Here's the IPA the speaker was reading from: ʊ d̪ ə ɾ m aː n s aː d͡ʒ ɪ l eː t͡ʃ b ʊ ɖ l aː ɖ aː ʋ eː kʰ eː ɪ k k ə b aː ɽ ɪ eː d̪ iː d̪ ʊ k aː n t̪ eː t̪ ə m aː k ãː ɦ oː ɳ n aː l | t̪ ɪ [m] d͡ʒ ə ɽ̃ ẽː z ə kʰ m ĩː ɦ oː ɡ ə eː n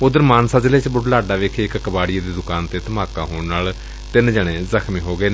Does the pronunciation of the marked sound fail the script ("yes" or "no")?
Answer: yes